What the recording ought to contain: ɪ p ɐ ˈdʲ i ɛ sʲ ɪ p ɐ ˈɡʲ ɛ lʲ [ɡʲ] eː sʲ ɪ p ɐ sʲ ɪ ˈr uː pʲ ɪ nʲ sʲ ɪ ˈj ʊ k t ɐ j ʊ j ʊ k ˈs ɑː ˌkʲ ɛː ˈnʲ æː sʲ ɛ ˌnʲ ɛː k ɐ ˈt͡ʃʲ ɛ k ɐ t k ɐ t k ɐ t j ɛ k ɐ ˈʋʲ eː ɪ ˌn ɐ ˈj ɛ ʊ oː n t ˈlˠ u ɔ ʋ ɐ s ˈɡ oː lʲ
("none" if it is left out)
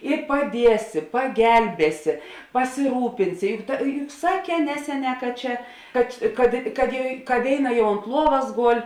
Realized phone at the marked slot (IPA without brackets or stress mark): bʲ